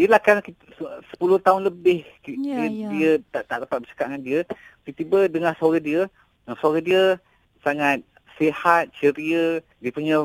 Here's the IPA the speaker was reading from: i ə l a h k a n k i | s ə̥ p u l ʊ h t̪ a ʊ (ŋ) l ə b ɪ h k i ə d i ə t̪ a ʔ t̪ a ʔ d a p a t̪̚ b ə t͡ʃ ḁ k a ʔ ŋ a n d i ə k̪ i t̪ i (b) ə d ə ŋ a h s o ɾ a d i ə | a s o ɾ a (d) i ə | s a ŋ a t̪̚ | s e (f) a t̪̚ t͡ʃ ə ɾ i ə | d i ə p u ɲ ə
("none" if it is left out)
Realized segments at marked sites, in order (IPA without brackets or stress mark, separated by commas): n, b, d, h